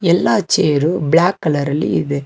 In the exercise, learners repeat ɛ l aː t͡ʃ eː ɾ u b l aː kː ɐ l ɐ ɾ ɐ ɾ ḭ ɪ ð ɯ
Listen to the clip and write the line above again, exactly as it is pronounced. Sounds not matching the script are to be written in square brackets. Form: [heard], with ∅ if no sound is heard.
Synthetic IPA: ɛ [lː] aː t͡ʃ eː ɾ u b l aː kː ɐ l ɐ ɾ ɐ [l] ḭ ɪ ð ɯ